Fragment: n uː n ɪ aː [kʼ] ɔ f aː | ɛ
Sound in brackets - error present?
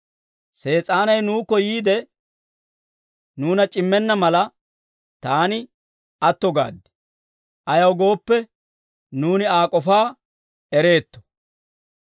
no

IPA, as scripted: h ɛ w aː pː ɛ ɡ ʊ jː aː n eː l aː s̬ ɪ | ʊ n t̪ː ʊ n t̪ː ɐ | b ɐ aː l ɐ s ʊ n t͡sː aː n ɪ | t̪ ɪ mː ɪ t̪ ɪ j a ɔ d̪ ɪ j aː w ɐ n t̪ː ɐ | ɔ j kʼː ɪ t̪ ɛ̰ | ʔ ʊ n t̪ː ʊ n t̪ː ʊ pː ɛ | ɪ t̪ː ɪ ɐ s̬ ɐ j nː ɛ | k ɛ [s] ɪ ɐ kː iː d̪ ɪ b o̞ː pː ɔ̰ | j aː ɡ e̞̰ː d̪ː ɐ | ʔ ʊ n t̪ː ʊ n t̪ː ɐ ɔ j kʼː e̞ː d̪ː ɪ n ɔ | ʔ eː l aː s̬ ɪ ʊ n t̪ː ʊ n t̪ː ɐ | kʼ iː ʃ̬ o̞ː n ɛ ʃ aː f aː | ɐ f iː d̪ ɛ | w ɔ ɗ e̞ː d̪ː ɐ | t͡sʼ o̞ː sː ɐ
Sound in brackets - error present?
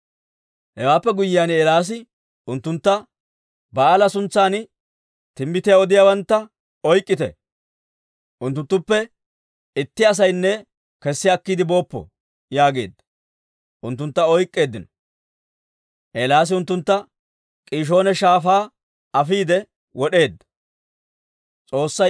yes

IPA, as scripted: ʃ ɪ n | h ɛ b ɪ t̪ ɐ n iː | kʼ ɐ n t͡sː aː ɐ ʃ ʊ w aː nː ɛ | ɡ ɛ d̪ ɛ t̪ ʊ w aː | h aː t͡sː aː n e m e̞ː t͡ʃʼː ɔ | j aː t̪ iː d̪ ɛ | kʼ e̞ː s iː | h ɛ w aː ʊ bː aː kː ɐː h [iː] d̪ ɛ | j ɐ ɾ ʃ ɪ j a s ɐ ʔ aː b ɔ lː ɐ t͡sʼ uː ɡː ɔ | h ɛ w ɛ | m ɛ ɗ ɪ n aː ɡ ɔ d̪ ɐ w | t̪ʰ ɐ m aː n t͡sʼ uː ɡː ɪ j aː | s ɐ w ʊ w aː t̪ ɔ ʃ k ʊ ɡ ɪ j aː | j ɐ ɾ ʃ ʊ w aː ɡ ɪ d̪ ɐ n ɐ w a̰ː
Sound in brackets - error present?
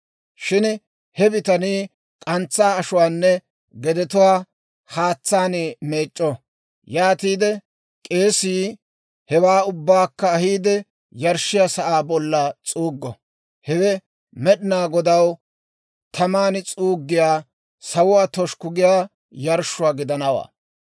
no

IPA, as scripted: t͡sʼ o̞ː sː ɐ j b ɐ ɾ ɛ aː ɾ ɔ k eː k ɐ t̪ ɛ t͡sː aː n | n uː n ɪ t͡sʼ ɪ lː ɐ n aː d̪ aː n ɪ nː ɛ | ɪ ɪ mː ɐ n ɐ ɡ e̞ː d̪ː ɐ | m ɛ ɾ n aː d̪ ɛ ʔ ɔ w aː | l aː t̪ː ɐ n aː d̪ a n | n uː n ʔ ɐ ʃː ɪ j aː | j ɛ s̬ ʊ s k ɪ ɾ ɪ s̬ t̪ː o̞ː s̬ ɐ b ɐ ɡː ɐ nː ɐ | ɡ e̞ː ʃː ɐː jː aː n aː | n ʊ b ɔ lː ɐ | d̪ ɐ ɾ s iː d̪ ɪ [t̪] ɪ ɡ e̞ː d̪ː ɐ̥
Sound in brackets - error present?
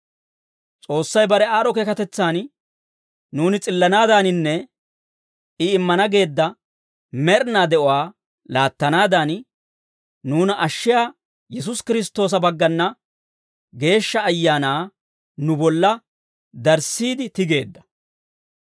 no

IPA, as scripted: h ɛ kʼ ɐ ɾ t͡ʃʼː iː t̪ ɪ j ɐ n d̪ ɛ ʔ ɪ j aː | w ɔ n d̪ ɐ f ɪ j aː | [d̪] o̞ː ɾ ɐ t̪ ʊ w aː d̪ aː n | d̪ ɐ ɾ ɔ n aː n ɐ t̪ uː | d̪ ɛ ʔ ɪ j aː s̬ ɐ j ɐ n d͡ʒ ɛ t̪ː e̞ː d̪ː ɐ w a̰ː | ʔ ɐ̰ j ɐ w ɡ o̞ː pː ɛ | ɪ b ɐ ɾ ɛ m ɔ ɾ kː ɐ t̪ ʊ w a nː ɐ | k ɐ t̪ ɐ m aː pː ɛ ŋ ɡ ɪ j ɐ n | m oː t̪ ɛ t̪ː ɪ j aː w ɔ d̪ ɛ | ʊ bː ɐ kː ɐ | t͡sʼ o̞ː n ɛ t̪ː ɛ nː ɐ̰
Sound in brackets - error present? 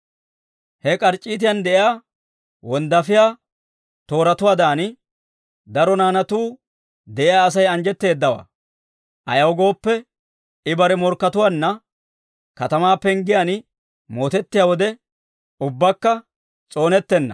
yes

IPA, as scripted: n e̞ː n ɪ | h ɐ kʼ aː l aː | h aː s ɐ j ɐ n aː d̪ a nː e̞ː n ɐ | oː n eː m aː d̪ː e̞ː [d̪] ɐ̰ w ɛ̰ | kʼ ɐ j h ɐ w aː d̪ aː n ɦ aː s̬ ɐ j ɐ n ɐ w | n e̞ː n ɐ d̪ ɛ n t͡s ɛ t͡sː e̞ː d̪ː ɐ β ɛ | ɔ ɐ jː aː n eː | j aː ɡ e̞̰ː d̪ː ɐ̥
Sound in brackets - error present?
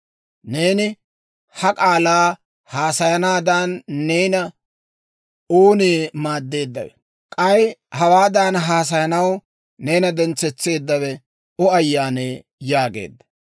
yes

